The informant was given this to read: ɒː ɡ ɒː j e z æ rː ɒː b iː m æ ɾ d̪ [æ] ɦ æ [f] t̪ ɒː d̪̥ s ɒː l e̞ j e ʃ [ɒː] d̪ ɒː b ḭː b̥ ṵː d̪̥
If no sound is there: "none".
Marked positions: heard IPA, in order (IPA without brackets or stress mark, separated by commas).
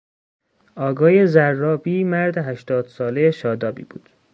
e, ʃ, ɒː